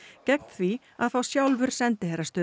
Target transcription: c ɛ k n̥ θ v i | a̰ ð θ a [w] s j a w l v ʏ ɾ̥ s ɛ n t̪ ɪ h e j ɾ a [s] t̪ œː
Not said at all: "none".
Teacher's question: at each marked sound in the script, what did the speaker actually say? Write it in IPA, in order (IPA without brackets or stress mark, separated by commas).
w, s